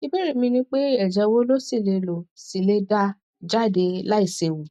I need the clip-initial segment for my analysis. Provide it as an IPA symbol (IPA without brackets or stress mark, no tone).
i